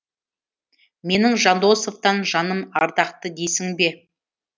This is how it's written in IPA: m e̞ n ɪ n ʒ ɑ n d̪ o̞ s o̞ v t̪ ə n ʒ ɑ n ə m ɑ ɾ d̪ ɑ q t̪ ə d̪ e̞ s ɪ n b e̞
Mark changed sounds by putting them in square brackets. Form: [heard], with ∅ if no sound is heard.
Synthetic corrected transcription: m e̞ n ɪ [ŋ] ʒ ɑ n d̪ o̞ s o̞ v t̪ [ɑ] n ʒ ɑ n ə m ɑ ɾ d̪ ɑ q t̪ ə d̪ e̞ s ɪ [ŋ] b e̞